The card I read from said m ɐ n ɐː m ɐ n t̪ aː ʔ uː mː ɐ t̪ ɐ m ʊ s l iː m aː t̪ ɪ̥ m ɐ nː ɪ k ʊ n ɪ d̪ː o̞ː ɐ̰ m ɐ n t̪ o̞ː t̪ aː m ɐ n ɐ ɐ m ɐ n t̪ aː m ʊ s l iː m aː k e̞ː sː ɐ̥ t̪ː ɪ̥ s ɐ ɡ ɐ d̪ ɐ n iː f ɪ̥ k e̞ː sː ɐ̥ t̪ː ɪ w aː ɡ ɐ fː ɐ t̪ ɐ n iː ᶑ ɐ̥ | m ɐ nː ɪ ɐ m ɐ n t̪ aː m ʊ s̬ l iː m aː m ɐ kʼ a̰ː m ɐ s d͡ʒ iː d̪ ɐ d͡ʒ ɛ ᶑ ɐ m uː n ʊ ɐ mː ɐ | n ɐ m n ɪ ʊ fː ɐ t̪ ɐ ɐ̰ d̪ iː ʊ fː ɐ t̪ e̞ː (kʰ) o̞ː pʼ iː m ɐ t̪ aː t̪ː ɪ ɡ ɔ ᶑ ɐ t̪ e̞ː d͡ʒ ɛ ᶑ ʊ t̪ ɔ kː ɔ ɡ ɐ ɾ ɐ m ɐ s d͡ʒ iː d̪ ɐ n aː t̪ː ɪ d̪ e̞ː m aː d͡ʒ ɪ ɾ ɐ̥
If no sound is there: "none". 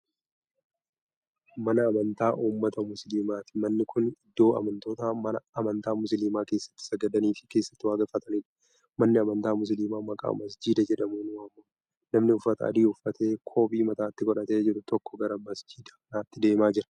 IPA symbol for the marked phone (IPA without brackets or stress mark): kʰ